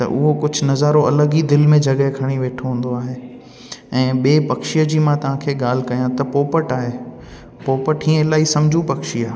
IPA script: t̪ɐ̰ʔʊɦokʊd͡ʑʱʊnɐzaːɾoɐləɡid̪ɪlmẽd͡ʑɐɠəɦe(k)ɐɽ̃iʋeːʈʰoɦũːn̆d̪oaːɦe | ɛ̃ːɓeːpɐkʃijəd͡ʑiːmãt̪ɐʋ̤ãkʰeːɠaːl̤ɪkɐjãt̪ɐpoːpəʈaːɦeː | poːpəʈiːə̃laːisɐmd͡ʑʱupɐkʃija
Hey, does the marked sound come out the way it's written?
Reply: no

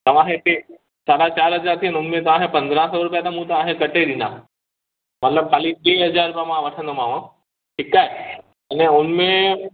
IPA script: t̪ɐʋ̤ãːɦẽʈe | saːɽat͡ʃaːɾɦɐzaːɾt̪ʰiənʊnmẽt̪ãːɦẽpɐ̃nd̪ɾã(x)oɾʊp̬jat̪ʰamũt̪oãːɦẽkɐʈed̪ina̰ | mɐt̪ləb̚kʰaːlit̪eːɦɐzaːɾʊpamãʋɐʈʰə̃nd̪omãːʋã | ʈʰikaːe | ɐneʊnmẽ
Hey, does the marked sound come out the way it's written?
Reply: no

